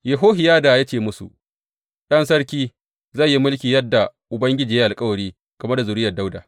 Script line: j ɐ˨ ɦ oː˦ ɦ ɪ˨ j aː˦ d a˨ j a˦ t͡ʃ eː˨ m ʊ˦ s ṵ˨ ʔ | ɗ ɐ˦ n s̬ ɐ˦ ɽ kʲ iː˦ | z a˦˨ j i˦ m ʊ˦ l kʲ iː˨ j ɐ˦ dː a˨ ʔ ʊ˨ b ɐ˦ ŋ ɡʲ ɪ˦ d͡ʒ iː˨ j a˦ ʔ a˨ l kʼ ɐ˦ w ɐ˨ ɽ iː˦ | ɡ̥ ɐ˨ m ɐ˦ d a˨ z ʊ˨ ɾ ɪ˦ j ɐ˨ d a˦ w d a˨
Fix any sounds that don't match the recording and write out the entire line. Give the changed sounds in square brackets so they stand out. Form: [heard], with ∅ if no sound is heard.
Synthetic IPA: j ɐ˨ ɦ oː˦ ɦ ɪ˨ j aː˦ d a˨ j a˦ t͡ʃ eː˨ m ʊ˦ s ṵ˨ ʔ | ɗ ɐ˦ n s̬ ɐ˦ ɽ kʲ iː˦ | z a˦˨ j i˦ m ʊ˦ l kʲ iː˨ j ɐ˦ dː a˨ ʔ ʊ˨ b ɐ˦ ŋ ɡʲ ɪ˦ d͡ʒ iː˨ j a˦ ʔ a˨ l kʼ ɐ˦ w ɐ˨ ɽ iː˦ | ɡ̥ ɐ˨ m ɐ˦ d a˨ z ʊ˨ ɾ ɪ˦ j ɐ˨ d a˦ w d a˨

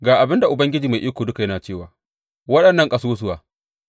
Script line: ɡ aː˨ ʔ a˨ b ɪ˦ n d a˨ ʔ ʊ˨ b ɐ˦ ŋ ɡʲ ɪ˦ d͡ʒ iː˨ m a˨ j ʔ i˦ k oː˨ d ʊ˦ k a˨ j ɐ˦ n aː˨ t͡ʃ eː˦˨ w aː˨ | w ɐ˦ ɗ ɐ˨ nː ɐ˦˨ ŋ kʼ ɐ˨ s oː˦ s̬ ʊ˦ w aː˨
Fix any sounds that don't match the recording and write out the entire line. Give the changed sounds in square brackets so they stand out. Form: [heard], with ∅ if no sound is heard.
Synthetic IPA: ɡ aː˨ ʔ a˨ b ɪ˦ n d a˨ ʔ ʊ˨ b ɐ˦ ŋ ɡʲ ɪ˦ d͡ʒ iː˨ m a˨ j ʔ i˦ k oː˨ d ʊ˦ k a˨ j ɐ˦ n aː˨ t͡ʃ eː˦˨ w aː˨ | w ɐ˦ ɗ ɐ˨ nː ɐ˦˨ ŋ kʼ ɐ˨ s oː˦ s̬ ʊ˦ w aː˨

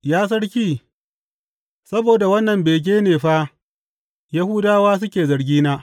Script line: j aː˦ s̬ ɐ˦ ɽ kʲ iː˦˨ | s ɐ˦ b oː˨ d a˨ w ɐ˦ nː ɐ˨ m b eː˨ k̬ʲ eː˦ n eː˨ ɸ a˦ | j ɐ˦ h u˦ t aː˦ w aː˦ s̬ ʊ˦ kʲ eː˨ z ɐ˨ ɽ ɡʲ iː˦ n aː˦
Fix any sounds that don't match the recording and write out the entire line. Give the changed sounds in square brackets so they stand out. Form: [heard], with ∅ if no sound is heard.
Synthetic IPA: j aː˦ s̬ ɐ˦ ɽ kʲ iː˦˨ | s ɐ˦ b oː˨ d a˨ w ɐ˦ nː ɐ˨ m b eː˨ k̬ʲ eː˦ n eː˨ ɸ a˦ | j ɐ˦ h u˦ [d] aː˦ w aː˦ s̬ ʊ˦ kʲ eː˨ z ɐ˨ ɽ ɡʲ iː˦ n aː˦

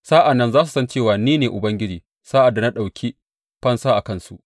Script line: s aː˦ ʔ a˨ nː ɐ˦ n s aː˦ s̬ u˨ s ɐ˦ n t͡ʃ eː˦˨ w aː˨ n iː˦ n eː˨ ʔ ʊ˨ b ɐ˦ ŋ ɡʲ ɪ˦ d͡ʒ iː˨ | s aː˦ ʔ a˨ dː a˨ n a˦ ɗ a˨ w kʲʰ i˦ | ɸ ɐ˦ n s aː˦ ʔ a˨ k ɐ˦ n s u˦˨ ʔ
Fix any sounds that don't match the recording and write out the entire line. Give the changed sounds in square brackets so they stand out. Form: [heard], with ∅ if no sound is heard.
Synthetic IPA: s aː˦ ʔ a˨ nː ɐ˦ n [z] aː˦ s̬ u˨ s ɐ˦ n t͡ʃ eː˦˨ w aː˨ n iː˦ n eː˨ ʔ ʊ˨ b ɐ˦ ŋ ɡʲ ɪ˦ d͡ʒ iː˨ | s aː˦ ʔ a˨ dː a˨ n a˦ ɗ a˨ w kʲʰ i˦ | ɸ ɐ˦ n s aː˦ ʔ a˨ k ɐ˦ n s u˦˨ ʔ

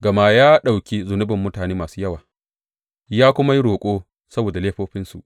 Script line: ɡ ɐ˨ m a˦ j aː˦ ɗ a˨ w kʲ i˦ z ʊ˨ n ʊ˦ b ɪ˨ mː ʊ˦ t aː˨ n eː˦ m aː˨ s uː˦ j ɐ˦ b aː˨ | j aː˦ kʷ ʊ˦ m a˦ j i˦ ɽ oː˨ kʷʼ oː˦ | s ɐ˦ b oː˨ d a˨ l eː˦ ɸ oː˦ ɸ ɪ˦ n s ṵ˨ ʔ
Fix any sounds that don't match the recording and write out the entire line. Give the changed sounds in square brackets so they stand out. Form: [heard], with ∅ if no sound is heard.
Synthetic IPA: ɡ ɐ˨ m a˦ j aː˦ ɗ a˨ w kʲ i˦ z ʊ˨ n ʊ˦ b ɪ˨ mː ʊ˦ t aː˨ n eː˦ m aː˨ s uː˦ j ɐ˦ [w] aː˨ | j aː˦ kʷ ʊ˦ m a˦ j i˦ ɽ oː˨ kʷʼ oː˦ | s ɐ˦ b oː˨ d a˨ l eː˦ ɸ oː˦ ɸ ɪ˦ n s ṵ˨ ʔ

